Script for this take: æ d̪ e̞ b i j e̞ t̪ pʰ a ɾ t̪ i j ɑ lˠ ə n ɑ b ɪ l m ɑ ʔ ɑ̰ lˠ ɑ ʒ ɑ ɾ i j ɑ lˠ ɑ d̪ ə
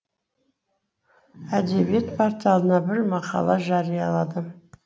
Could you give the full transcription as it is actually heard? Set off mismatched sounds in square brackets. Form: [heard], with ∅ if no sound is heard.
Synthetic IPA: æ d̪ e̞ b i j e̞ t̪ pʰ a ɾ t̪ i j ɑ lˠ ə n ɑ b ɪ [ɾ] m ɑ [q] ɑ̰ lˠ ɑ ʒ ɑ ɾ i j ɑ lˠ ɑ d̪ ə